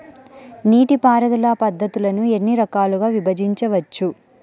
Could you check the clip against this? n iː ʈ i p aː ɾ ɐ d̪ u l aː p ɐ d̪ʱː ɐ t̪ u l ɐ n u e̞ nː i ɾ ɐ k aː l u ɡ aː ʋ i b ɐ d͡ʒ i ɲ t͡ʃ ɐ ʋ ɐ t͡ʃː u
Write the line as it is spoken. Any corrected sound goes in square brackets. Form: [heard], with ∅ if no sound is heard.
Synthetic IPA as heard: n iː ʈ i p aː ɾ ɐ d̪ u l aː p ɐ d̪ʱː ɐ t̪ u l ɐ n u e̞ nː i ɾ ɐ k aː l u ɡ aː ʋ i b ɐ d͡ʒ i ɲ t͡ʃ ɐ ʋ ɐ t͡ʃː u